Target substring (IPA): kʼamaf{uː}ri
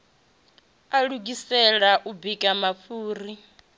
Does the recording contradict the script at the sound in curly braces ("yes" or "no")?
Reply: no